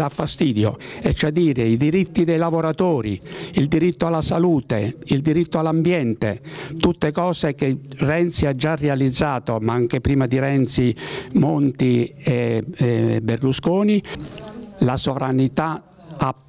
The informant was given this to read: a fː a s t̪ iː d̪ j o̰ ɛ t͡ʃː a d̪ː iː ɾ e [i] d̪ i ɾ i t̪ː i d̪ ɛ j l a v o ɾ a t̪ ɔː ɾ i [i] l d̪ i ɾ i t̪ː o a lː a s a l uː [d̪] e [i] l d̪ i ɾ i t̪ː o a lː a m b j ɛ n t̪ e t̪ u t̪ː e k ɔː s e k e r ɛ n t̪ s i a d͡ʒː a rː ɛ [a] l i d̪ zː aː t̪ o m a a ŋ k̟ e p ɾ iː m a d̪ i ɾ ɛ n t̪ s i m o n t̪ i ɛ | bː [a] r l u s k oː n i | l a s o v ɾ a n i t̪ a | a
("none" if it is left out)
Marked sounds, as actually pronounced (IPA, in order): i, i, t̪, i, a, e

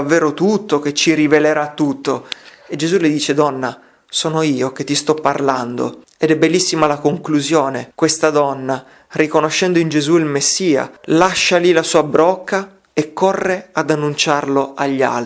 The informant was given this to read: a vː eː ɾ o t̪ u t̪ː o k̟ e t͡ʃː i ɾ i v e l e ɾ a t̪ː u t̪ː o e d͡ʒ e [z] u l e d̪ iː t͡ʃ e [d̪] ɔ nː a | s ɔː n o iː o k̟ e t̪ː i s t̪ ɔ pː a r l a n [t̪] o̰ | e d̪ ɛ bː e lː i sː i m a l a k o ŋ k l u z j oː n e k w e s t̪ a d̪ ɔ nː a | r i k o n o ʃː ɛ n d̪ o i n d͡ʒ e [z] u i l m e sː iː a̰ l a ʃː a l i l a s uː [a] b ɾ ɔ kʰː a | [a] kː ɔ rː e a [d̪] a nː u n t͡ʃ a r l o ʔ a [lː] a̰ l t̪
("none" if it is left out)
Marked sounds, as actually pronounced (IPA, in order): z, d̪, d̪, z, a, e, d̪, ʎː

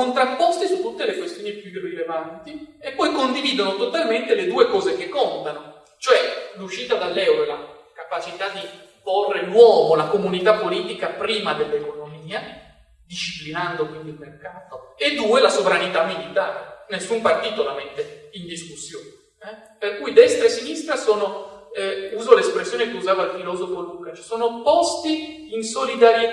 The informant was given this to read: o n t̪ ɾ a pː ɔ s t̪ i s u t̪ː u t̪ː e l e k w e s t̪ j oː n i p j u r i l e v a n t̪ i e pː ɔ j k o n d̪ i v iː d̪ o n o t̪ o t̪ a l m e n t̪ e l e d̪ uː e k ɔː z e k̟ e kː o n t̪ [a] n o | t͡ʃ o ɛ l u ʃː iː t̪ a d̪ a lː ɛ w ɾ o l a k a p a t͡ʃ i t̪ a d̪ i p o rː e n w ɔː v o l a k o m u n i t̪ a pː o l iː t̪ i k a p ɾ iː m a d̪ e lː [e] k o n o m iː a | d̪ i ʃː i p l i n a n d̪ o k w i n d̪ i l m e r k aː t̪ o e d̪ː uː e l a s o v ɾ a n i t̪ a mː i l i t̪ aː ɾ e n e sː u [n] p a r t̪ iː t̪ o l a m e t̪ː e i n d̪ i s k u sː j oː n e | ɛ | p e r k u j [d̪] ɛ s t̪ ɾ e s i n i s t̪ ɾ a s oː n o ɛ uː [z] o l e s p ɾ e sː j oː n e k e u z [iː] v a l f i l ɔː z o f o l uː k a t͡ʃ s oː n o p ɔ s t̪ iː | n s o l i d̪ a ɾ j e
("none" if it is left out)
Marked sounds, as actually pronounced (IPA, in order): a, e, m, d̪, z, aː

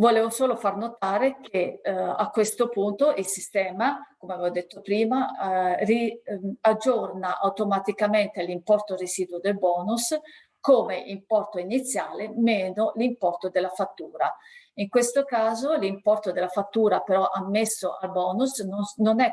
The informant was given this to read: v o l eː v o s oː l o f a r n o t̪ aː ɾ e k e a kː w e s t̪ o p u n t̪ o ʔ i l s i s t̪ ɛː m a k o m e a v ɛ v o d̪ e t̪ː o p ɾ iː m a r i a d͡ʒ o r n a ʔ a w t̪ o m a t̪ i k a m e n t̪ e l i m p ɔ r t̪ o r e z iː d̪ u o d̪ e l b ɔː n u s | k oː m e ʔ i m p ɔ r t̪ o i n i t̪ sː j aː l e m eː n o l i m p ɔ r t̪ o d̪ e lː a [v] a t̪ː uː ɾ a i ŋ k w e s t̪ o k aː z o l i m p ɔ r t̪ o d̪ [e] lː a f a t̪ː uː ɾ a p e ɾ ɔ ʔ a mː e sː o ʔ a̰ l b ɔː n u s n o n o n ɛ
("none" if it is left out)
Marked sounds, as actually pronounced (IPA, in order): f, e

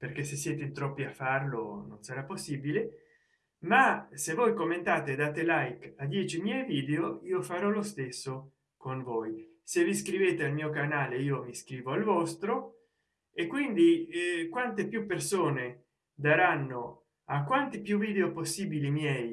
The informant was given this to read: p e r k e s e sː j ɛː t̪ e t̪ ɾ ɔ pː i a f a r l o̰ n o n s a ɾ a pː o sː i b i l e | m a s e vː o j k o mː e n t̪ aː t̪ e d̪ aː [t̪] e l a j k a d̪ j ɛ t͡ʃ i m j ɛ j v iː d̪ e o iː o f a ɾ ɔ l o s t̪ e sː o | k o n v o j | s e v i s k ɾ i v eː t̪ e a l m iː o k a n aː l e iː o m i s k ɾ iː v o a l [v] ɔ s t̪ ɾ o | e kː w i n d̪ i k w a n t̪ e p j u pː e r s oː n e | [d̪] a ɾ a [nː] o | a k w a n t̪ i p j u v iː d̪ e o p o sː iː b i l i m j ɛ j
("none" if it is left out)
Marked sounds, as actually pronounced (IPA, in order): t̪, v, d̪, nː

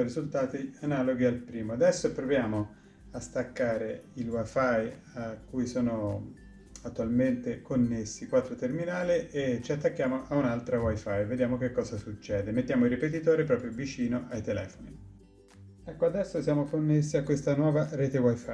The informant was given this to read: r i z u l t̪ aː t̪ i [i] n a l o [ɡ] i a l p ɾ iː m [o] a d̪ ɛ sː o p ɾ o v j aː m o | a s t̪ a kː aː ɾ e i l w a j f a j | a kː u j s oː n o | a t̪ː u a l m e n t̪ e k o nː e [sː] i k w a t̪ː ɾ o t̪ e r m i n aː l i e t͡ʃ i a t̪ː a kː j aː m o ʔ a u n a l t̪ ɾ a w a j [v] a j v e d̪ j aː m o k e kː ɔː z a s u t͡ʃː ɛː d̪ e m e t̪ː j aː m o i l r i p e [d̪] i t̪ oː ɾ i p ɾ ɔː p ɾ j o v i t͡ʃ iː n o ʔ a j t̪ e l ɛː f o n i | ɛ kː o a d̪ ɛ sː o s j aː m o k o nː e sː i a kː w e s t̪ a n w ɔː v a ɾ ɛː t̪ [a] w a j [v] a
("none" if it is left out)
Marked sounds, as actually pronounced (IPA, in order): a, ɡ, o, sː, f, t̪, e, f

